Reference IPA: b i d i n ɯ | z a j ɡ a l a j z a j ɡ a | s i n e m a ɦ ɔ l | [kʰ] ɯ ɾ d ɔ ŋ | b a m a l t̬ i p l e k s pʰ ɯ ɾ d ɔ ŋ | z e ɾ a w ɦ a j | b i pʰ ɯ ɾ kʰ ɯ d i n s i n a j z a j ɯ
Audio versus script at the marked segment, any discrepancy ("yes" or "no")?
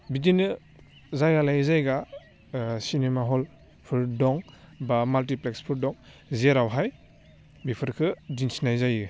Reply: yes